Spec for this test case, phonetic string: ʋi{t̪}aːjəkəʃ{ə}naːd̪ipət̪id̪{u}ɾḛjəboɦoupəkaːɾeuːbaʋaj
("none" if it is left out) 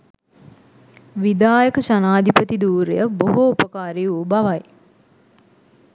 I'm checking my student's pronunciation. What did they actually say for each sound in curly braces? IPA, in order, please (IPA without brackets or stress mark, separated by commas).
d̪, a, uː